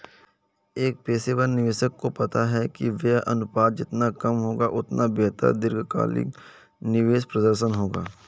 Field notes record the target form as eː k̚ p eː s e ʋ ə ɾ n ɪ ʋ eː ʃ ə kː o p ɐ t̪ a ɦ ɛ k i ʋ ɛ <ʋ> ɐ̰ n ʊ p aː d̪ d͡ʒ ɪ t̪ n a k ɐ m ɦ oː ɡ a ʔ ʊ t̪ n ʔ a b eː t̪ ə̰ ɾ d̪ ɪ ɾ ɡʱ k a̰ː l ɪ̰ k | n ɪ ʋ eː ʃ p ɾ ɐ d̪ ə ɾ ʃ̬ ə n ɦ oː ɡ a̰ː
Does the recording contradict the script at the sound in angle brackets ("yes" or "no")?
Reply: yes